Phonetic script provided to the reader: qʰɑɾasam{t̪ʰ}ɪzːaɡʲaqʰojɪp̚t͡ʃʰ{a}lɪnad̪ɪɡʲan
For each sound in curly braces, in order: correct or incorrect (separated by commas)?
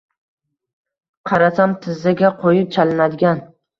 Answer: correct, correct